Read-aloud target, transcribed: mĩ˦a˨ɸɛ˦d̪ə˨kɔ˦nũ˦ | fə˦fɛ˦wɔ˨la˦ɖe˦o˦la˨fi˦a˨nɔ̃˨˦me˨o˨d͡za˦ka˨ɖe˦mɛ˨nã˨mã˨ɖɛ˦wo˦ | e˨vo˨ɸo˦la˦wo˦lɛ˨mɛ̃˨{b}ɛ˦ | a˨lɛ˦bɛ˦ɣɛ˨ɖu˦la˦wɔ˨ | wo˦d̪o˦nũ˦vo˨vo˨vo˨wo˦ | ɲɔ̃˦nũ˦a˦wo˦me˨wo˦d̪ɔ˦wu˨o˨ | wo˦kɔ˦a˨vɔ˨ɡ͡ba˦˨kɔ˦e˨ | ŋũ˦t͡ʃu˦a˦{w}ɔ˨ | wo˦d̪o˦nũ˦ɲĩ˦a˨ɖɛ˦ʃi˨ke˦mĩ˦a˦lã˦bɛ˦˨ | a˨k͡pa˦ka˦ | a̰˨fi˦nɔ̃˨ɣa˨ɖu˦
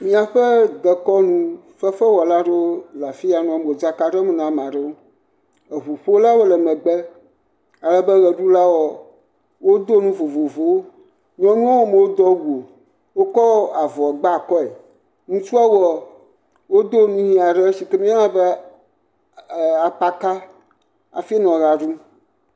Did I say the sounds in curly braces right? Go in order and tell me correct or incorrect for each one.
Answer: incorrect: ɡ͡b, correct

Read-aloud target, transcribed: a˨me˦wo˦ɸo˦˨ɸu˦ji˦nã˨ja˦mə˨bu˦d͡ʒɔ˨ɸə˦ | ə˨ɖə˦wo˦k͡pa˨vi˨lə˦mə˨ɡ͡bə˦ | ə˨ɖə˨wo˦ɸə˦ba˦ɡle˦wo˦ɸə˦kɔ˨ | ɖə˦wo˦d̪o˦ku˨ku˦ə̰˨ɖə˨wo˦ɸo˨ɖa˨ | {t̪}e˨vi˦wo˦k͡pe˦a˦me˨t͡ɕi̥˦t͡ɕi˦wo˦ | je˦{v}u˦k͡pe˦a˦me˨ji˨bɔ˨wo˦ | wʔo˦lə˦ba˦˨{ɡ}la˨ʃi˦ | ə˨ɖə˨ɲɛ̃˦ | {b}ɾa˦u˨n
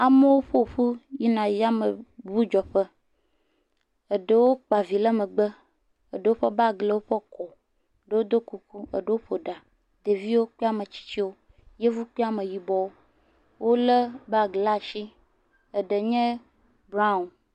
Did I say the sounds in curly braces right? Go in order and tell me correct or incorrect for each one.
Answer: incorrect: d̪, correct, correct, correct

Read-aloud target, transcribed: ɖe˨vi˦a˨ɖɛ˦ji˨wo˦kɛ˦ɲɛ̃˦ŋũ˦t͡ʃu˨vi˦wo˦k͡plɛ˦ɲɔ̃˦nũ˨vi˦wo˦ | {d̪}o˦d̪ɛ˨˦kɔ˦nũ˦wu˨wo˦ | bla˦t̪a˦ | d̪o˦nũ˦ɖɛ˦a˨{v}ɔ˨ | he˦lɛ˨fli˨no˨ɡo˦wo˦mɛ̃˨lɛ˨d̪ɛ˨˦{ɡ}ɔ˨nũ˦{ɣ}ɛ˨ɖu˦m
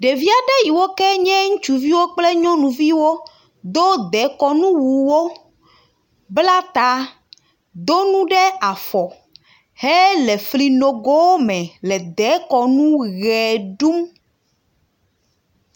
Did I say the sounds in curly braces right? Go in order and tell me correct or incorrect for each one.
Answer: correct, incorrect: f, incorrect: k, correct

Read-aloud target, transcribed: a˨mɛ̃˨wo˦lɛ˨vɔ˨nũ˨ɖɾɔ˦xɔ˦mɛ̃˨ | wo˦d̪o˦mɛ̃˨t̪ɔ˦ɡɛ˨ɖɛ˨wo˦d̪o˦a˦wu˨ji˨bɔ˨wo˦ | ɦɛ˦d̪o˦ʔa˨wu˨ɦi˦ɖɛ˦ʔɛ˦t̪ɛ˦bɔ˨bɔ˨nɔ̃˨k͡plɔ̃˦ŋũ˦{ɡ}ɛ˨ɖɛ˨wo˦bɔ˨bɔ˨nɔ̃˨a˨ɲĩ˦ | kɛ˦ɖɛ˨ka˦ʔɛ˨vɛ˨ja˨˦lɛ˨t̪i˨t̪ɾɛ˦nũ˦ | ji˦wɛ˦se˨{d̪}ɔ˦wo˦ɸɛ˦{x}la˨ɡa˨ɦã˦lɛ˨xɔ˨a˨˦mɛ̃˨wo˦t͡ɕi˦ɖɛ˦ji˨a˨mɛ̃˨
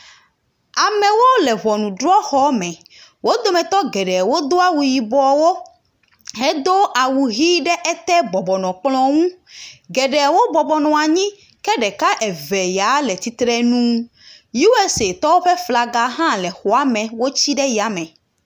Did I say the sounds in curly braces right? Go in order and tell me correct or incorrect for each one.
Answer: correct, incorrect: t̪, incorrect: f

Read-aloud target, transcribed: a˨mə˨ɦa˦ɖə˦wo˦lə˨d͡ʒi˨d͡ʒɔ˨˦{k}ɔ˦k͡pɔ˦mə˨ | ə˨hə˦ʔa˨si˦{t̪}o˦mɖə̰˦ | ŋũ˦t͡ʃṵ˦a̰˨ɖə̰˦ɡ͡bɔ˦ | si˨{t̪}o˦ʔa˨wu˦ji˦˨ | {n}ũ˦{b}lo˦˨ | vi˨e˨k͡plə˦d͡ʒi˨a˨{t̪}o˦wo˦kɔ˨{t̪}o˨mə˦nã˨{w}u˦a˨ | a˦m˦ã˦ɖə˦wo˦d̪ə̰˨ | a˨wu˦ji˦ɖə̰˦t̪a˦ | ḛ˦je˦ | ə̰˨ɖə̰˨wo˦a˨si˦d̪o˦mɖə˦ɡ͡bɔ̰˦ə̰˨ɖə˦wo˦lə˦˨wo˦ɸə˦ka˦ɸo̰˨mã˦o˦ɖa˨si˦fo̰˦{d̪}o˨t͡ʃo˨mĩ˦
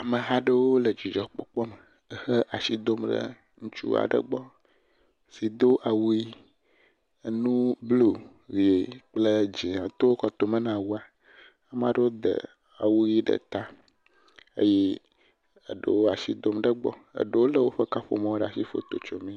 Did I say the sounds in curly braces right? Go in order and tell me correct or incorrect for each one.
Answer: incorrect: k͡p, incorrect: d̪, incorrect: d̪, correct, correct, correct, correct, correct, incorrect: t̪

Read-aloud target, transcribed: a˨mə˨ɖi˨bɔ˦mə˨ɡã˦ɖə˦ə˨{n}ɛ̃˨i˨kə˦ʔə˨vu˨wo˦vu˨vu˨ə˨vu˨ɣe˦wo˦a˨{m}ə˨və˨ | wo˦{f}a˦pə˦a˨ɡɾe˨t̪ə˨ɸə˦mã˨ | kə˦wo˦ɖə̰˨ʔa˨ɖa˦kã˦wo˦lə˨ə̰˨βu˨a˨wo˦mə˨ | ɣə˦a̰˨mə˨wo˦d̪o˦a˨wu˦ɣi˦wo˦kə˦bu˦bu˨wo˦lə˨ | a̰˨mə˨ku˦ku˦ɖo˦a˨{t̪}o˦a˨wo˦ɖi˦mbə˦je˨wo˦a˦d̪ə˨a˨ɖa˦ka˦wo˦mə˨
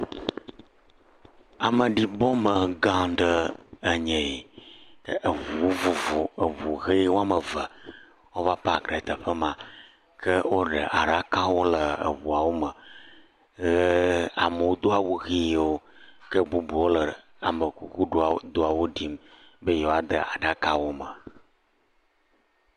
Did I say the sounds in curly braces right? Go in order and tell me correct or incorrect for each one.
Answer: incorrect: ɲ, correct, incorrect: v, incorrect: d̪

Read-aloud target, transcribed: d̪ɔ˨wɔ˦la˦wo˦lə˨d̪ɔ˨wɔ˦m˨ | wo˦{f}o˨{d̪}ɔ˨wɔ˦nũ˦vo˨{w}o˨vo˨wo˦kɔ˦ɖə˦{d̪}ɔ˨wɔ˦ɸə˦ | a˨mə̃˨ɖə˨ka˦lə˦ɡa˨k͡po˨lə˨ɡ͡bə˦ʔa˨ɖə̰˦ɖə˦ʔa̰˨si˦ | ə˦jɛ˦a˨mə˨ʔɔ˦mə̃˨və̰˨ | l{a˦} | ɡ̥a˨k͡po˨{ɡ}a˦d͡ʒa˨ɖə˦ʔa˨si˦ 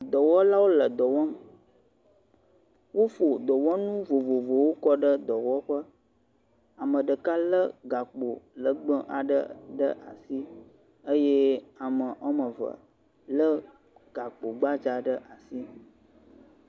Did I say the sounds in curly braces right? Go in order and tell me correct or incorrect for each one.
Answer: correct, correct, incorrect: v, correct, incorrect: ə˦, incorrect: ɡ͡b

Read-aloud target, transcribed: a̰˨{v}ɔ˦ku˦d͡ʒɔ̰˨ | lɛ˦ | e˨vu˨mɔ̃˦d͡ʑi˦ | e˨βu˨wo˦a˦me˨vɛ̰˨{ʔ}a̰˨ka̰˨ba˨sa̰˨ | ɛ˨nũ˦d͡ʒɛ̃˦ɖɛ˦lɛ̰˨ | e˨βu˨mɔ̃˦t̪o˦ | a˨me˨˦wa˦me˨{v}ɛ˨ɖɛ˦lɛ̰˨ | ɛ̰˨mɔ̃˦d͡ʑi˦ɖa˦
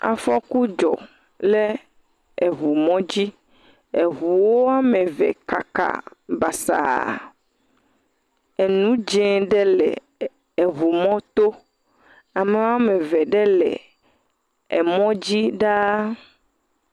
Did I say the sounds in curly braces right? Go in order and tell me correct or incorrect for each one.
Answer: incorrect: f, incorrect: k, correct

